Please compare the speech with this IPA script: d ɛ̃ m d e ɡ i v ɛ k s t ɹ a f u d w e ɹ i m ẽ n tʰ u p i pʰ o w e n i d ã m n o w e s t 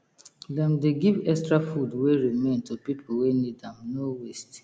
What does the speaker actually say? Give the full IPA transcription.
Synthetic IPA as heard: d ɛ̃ m d e ɡ i v ɛ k s t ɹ a f u d w e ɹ i m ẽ n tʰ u p i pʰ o w e n i d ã m n o w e s t